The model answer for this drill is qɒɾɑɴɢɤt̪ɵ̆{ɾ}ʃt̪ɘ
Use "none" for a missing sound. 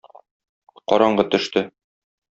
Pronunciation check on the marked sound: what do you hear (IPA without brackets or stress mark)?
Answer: none